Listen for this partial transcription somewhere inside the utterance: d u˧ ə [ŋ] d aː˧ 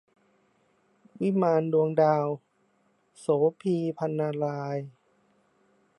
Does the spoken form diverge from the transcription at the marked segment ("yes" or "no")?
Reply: no